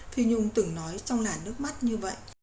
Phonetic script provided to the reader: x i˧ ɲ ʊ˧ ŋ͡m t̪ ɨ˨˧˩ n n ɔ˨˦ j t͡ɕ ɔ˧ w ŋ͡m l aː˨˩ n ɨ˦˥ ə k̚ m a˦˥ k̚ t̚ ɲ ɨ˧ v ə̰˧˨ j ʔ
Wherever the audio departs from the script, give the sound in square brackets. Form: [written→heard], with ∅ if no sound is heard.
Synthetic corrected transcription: [x→f] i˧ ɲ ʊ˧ ŋ͡m t̪ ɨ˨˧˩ [n→ŋ] n ɔ˨˦ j t͡ɕ ɔ˧ w ŋ͡m l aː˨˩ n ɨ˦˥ ə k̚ m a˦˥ [k̚→∅] t̚ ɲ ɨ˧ v ə̰˧˨ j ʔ